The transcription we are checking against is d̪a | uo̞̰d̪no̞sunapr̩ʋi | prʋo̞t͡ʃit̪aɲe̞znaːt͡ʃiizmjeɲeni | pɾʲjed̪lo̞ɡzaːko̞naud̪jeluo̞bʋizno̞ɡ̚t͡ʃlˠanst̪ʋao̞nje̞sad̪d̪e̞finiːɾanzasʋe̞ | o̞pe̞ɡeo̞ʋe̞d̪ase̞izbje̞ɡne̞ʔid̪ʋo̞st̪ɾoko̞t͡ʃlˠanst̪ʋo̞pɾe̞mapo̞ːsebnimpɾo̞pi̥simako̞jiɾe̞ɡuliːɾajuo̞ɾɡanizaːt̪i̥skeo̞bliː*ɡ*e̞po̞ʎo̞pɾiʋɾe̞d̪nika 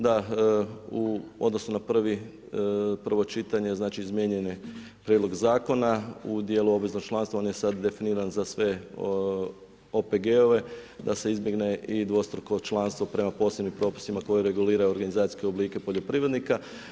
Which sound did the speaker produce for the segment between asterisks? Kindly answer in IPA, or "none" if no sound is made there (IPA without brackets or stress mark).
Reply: k